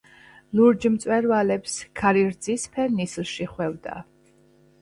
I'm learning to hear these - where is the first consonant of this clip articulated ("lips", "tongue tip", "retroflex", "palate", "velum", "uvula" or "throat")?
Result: tongue tip